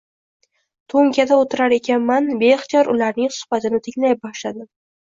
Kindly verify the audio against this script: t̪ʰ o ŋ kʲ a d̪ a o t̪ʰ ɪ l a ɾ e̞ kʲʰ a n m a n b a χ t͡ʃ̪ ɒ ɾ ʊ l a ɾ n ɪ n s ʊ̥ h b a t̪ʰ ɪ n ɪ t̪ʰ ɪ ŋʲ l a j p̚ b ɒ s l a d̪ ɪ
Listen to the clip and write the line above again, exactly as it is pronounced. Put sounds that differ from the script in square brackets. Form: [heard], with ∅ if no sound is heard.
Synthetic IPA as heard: t̪ʰ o ŋ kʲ a d̪ a o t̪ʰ ɪ [ɾ] a ɾ e̞ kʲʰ a n m a n b [e] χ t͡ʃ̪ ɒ ɾ ʊ l a ɾ n ɪ [ŋ] s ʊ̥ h b a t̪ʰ ɪ n ɪ t̪ʰ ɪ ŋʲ l a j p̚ b ɒ [ʃ] l a d̪ ɪ

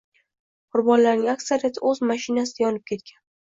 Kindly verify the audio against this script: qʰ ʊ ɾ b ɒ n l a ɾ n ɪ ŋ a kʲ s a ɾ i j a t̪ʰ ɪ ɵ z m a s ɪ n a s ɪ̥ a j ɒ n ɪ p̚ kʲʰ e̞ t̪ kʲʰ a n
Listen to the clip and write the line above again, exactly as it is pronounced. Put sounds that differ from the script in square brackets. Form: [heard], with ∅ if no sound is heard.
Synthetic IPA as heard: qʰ ʊ ɾ b ɒ n l a ɾ n ɪ ŋ a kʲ s a ɾ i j a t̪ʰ ɪ ɵ z m a [ʃ] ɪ n a s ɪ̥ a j ɒ n ɪ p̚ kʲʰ e̞ t̪ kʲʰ a n

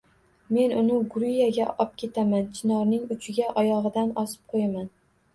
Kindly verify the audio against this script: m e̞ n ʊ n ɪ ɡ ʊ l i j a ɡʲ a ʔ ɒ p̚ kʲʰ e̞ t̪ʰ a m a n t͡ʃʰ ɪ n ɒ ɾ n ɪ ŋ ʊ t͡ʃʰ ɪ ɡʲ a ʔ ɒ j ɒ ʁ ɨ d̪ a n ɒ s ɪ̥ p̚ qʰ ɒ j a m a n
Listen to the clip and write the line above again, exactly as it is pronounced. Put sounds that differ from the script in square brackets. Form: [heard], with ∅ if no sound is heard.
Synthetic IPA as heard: m e̞ n ʊ n ɪ ɡ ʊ [ɾ] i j a ɡʲ a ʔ ɒ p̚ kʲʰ e̞ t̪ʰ a m a n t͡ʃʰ ɪ n ɒ ɾ n ɪ ŋ ʊ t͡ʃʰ ɪ ɡʲ a ʔ ɒ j ɒ ʁ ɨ d̪ a n ɒ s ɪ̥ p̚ qʰ [o] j a m a n

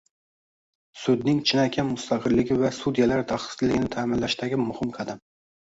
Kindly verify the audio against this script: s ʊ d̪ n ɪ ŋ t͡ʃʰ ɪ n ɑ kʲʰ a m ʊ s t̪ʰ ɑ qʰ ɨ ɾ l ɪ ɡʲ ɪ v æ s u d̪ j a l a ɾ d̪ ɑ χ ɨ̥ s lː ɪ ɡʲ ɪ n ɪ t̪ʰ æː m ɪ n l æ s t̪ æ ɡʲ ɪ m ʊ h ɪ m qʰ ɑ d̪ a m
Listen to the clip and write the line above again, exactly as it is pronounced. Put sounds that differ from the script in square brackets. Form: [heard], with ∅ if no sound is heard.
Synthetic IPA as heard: s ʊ d̪ n ɪ ŋ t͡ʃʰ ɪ n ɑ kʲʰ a m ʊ s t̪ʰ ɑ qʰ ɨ ɾ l ɪ ɡʲ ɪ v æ s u d̪ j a l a ɾ d̪ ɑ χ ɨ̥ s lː ɪ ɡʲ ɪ n ɪ t̪ʰ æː m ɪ n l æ [ʃ] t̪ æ ɡʲ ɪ m ʊ h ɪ m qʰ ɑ d̪ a m

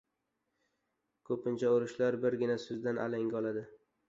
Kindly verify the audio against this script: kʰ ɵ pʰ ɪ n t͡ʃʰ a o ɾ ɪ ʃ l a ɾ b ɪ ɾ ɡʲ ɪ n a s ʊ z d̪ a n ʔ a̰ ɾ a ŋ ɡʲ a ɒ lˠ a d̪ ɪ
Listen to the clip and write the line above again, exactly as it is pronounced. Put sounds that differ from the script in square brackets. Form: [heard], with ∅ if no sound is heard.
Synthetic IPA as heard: kʰ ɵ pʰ ɪ n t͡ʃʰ a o ɾ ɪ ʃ l a ɾ b ɪ ɾ ɡʲ ɪ n a s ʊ z d̪ a n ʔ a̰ [l] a ŋ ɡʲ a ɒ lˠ a d̪ ɪ

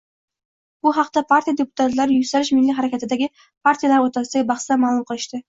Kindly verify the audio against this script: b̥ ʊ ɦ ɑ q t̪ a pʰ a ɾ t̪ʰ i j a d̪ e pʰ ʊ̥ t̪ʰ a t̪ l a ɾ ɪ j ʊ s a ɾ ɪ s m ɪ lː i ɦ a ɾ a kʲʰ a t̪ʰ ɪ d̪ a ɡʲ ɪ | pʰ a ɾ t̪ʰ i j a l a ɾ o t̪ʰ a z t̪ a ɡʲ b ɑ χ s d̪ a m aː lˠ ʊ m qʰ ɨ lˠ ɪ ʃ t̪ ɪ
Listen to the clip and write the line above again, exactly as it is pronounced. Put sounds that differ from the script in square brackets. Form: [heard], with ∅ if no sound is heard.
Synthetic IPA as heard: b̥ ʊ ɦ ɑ q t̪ a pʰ a ɾ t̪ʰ i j a d̪ e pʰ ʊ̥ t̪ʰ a t̪ l a ɾ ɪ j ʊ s a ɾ ɪ [ʃ] m ɪ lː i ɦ a ɾ a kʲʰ a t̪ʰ ɪ d̪ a ɡʲ ɪ | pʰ a ɾ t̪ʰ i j a l a ɾ o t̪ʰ a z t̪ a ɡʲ b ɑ χ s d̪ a m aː lˠ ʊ m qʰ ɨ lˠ ɪ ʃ t̪ ɪ

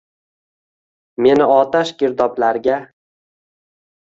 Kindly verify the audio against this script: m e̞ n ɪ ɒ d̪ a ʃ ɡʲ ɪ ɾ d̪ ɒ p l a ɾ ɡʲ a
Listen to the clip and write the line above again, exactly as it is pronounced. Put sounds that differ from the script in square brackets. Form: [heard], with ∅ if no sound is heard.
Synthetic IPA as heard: m e̞ n ɪ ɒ [t̪] a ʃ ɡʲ ɪ ɾ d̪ ɒ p l a ɾ ɡʲ a

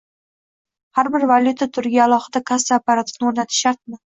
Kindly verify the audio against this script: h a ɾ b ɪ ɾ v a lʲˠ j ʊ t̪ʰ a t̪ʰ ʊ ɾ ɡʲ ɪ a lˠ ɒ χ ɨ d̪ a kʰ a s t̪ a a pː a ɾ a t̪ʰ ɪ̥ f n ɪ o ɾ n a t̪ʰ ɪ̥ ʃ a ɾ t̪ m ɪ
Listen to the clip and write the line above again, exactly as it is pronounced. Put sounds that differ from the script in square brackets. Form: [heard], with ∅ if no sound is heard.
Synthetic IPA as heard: h a ɾ b ɪ ɾ v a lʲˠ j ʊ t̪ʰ a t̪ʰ ʊ ɾ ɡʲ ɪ a lˠ ɒ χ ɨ d̪ a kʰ a s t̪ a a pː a ɾ a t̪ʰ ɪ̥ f n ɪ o ɾ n a t̪ʰ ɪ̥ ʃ a ɾ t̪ m ɪ

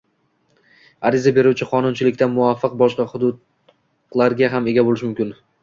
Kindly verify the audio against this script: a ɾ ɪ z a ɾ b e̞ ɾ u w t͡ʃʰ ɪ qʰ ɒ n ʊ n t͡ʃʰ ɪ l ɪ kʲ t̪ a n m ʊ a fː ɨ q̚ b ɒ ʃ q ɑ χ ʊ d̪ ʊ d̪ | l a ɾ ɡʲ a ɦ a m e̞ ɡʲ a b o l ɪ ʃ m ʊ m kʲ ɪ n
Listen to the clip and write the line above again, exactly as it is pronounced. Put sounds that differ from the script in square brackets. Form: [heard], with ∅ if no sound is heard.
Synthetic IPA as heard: a ɾ ɪ z a [∅] b e̞ ɾ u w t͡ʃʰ ɪ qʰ ɒ n ʊ n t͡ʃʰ ɪ l ɪ kʲ t̪ a n m ʊ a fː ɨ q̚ b ɒ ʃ q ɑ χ ʊ d̪ ʊ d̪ | l a ɾ ɡʲ a ɦ a m e̞ ɡʲ a b o l ɪ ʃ m ʊ m kʲ ɪ n

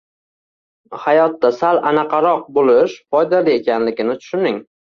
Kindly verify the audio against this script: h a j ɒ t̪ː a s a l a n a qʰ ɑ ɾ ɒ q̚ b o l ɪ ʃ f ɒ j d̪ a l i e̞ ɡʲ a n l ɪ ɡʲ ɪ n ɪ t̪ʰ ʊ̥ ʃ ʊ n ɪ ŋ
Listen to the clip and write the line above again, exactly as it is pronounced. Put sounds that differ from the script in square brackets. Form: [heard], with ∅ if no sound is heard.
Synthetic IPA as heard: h a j ɒ t̪ː a s a l a n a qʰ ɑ ɾ ɒ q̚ b o l ɪ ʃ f ɒ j d̪ a l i e̞ [kʲ] a n l ɪ ɡʲ ɪ n ɪ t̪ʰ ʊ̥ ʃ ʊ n ɪ ŋ

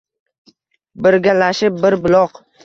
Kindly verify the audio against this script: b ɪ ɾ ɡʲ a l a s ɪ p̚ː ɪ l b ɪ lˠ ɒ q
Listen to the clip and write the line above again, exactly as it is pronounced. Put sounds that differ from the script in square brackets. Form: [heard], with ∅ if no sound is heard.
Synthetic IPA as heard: b ɪ ɾ ɡʲ a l a [ʃ] ɪ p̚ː ɪ [ɾ] b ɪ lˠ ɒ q

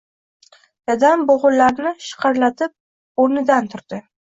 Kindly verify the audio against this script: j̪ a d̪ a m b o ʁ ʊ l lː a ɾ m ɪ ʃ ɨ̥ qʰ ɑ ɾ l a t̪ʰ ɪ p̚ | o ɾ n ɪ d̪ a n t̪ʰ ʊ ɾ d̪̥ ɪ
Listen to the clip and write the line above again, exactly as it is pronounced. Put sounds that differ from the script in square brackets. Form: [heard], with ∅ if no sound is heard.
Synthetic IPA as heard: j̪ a d̪ a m b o ʁ ʊ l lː a ɾ [n] ɪ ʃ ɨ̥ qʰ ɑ ɾ l a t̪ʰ ɪ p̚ | o ɾ n ɪ d̪ a n t̪ʰ ʊ ɾ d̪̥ ɪ

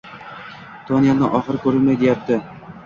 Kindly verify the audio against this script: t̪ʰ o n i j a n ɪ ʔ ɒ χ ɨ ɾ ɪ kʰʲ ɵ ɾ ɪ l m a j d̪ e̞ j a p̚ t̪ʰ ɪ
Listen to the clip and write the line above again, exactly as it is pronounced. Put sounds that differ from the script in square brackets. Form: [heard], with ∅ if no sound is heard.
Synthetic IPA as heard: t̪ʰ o n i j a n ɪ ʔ ɒ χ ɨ ɾ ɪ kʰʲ ɵ ɾ ɪ l m a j d̪ e̞ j a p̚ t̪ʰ ɪ

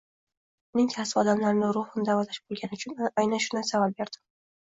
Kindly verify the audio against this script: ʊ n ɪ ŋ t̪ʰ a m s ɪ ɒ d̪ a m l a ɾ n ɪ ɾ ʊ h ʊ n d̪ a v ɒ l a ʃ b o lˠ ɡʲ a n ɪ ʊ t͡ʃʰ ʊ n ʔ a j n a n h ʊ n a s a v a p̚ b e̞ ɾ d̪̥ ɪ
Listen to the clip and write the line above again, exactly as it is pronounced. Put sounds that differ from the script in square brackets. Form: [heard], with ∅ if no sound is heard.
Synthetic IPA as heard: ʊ n ɪ ŋ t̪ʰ a [∅] s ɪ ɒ d̪ a m l a ɾ n ɪ ɾ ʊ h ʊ n d̪ a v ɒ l a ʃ b o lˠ ɡʲ a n ɪ ʊ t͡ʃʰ ʊ n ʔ a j n a n [ʃ] ʊ n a s a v a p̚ b e̞ ɾ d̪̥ ɪ

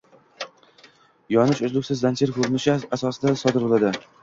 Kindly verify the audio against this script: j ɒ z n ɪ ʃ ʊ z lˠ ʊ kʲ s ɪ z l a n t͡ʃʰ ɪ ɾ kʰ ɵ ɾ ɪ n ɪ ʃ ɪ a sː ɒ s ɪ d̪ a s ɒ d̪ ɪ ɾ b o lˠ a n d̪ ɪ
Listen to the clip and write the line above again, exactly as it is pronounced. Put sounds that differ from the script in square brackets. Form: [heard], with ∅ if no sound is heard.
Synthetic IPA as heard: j ɒ [∅] n ɪ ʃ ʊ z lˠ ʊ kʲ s ɪ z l a n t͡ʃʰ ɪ ɾ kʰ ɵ ɾ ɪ n ɪ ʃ ɪ a [s] ɒ s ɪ d̪ a s ɒ d̪ ɪ ɾ b o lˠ a [∅] d̪ ɪ

